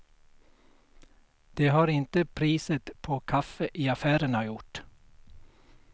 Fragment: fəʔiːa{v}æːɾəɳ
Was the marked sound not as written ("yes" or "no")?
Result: yes